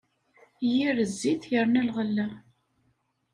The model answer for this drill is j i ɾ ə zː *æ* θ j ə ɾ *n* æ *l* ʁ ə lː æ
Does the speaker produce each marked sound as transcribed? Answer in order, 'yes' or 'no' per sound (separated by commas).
no, yes, yes